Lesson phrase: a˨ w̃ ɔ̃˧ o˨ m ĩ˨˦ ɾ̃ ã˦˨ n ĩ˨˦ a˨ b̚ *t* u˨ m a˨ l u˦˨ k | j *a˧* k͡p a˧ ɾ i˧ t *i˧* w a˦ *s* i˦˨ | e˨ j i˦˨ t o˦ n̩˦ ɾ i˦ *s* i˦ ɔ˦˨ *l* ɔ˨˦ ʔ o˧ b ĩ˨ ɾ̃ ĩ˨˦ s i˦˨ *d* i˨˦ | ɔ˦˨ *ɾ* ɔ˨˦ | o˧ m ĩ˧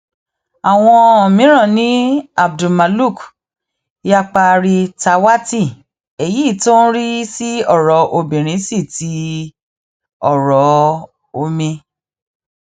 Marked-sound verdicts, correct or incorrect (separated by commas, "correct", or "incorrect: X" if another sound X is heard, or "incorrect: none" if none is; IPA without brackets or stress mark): incorrect: d, correct, incorrect: a˧, incorrect: t, correct, incorrect: ɾ, incorrect: t, correct